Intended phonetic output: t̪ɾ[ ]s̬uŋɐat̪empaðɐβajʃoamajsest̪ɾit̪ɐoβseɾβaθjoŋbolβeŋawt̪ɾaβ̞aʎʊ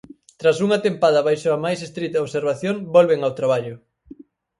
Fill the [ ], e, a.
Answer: a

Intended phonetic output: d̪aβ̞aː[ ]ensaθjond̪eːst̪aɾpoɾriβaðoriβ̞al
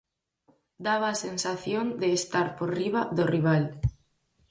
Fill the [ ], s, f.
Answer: s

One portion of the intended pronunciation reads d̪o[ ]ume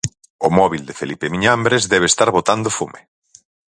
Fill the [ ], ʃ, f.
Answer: f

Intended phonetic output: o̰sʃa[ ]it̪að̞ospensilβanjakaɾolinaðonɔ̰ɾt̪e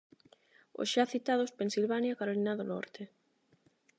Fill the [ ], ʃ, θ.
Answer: θ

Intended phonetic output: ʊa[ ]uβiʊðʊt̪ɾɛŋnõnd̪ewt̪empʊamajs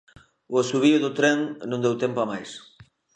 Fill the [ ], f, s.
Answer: s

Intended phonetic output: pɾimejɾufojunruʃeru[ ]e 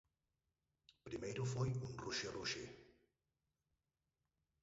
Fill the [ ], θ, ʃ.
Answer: ʃ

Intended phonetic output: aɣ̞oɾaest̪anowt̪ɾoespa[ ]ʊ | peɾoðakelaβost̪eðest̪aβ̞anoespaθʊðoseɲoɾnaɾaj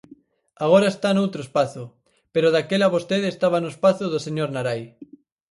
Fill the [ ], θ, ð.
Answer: θ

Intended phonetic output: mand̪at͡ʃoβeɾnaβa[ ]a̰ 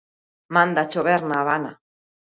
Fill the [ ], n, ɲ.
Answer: n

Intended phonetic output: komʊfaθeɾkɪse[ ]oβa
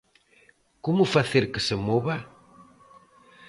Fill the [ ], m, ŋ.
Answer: m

